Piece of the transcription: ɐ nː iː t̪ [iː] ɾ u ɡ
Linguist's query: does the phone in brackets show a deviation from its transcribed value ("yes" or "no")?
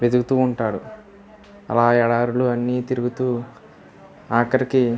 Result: yes